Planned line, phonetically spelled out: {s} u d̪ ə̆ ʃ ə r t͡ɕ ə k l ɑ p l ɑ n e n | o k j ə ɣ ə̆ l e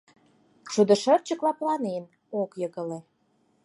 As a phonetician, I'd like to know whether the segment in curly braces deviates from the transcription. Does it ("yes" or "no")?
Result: yes